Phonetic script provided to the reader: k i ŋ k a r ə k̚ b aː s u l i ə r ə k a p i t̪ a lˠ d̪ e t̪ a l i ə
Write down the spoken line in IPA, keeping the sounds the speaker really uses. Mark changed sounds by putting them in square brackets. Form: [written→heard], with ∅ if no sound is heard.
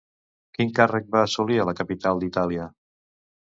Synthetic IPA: k i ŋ k a r ə k̚ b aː s u l i ə [r→l] ə k [a→ə] p i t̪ a lˠ d̪ [e→i] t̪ a l i ə